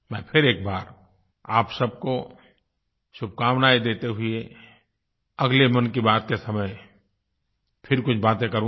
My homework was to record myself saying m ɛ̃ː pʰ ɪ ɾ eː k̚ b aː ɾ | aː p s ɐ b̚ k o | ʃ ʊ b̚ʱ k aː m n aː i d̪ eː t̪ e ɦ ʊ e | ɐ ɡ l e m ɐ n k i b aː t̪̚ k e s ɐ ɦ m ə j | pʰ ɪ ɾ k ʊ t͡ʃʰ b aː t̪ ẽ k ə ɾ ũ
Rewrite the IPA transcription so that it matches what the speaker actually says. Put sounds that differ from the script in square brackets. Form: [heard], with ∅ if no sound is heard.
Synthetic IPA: m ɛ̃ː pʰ ɪ ɾ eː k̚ b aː ɾ | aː p s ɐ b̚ k o | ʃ ʊ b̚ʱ k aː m n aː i d̪ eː t̪ e ɦ ʊ e | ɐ ɡ l e m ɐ n k i b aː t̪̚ k e s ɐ [∅] m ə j | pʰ ɪ ɾ k ʊ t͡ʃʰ b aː t̪ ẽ k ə ɾ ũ